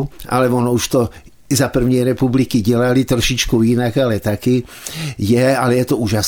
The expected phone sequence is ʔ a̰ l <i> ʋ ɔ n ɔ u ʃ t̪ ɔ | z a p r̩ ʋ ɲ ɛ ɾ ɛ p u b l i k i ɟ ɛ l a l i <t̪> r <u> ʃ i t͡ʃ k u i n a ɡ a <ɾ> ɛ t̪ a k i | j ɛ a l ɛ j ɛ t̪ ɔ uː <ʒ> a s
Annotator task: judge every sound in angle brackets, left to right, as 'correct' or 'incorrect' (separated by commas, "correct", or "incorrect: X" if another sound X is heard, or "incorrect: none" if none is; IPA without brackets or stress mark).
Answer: incorrect: ɛ, correct, incorrect: ɔ, incorrect: l, correct